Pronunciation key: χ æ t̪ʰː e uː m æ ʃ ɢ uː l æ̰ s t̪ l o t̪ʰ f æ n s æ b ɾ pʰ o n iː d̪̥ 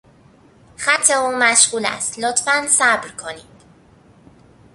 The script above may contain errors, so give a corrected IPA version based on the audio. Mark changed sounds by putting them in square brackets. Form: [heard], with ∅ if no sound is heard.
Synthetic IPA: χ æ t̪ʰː e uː m æ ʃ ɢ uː l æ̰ s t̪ l o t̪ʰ f æ n s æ b ɾ [kʰ] o n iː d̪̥

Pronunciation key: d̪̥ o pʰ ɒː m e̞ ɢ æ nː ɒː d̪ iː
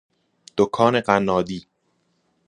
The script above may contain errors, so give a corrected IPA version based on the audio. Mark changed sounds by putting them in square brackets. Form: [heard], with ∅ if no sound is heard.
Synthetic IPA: d̪̥ o [kʰ] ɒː [n] e̞ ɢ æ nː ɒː d̪ iː

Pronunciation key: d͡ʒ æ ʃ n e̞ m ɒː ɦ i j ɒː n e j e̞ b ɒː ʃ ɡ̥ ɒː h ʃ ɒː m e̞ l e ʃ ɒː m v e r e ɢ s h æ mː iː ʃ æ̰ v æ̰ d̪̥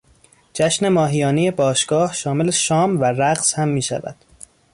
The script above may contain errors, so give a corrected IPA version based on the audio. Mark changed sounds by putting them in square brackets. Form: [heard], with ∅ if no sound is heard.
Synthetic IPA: d͡ʒ æ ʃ n e̞ m ɒː ɦ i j ɒː n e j e̞ b ɒː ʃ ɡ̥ ɒː h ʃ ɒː m e̞ l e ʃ ɒː m v [æ] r [æ] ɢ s h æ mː iː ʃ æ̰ v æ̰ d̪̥

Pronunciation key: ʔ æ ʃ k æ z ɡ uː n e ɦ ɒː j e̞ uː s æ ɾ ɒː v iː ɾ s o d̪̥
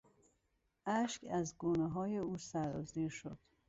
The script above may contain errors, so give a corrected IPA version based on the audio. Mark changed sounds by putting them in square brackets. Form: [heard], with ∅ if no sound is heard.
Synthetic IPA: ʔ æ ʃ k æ z ɡ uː n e ɦ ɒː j e̞ uː s æ ɾ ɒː [z] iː ɾ [ʃ] o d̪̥

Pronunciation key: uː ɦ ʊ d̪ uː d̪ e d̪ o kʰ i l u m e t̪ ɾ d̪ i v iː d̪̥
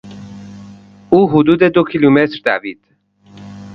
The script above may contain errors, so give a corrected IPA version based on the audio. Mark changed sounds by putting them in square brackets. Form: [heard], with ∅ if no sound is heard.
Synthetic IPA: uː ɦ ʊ d̪ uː d̪ e d̪ o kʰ i l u m e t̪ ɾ d̪ [æ] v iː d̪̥

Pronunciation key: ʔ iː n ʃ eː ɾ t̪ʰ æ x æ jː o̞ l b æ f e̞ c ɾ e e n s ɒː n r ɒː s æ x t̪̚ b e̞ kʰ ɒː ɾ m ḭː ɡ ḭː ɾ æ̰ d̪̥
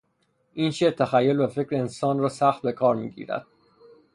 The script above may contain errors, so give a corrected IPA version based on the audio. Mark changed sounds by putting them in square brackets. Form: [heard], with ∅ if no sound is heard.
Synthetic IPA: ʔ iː n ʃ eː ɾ t̪ʰ æ x æ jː o̞ l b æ f e̞ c ɾ e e n s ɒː n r ɒː s æ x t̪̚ b e̞ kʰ ɒː ɾ m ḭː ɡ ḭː ɾ æ̰ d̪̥

